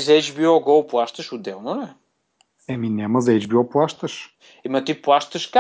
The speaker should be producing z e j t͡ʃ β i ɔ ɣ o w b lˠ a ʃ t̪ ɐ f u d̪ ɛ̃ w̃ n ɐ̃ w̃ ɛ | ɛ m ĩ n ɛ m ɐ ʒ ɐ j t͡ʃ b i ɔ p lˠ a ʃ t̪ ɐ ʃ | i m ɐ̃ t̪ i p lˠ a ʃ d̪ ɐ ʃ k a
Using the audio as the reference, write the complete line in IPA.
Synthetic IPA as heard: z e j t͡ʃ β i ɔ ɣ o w p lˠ a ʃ t̪ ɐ ʃ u d̪ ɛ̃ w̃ n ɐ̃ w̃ ɛ | ɛ m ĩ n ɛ m ɐ z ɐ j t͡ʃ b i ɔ p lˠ a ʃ t̪ ɐ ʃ | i m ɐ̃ t̪ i p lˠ a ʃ t̪ ɐ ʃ k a